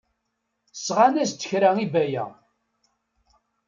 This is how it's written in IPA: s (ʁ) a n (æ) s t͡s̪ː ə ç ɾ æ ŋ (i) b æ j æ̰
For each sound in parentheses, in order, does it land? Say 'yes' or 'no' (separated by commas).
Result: yes, yes, yes